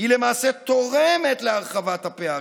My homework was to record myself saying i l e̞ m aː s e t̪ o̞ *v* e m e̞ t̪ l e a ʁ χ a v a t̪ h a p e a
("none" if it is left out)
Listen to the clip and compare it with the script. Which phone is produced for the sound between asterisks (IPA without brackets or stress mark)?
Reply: ʁ